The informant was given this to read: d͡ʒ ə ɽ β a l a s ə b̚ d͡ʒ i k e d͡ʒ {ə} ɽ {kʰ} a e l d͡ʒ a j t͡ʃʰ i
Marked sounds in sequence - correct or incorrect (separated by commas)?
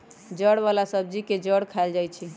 correct, correct